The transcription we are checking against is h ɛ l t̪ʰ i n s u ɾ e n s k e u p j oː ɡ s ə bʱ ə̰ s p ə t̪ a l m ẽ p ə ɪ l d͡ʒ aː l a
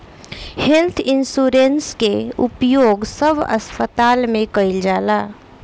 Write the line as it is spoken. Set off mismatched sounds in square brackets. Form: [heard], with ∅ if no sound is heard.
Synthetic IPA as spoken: h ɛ l t̪ʰ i n s u ɾ e n s k e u p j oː ɡ s ə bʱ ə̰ s p ə t̪ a l m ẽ [k] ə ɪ l d͡ʒ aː l a